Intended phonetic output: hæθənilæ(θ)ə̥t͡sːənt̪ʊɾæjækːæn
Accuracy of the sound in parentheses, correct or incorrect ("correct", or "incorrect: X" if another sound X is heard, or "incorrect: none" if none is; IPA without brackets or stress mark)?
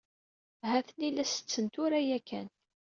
incorrect: s